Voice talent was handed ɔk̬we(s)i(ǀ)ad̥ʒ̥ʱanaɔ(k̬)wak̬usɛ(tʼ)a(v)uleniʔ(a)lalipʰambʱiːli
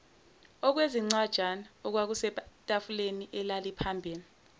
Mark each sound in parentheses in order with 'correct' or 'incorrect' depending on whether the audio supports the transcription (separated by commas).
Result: incorrect, incorrect, correct, correct, incorrect, incorrect